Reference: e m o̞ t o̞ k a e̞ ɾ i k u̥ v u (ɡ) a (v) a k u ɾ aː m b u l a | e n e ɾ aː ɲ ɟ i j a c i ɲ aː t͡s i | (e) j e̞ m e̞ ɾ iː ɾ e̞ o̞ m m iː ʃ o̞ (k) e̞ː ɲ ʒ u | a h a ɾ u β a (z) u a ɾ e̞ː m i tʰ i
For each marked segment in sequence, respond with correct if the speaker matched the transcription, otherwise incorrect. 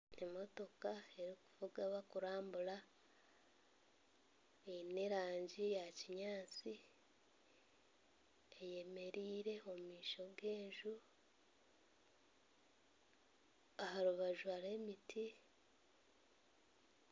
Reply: correct, incorrect: β, correct, incorrect: ɡ, incorrect: ʒ

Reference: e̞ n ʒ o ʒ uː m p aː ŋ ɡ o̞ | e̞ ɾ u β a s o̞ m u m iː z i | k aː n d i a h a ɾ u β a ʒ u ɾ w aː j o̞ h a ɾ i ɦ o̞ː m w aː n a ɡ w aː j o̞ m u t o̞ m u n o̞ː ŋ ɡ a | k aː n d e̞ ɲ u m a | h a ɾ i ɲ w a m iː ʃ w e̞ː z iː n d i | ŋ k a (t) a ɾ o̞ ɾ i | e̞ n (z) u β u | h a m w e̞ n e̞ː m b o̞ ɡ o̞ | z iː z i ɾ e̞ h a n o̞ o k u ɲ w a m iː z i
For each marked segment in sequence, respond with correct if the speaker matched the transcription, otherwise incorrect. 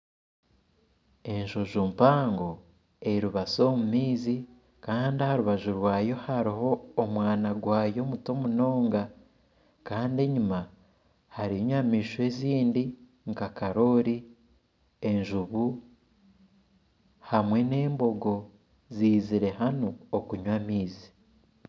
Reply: incorrect: k, incorrect: ʒ

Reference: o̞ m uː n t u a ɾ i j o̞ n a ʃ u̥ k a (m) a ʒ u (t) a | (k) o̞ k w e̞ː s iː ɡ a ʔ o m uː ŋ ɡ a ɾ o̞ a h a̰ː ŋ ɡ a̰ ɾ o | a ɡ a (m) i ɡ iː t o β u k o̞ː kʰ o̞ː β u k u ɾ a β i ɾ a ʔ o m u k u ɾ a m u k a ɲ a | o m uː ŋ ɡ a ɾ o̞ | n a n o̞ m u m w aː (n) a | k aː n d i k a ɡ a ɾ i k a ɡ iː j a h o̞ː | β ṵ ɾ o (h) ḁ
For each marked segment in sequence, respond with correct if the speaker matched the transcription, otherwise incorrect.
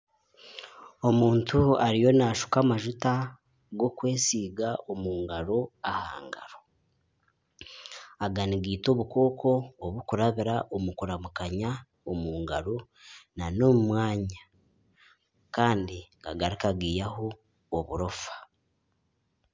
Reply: correct, correct, incorrect: ɡ, incorrect: n, incorrect: ɲ, incorrect: f

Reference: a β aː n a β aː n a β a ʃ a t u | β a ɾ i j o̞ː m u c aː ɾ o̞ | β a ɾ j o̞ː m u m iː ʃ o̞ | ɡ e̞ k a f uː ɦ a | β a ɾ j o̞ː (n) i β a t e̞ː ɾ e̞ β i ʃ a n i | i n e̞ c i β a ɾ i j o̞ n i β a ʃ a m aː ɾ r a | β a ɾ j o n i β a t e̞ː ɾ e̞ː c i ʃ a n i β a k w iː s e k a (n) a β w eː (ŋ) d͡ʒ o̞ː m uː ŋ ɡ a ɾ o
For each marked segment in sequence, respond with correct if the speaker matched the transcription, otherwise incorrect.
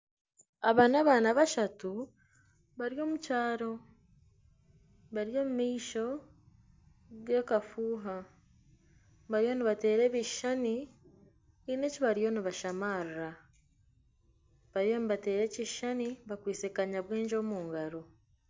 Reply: correct, incorrect: ɲ, incorrect: ɲ

